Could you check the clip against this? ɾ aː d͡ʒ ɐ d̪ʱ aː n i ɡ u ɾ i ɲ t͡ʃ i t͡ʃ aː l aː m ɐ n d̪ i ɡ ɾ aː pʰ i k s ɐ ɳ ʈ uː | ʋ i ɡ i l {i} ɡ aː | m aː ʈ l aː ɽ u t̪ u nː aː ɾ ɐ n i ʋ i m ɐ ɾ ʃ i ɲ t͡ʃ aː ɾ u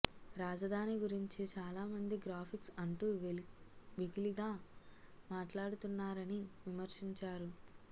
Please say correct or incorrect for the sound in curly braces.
correct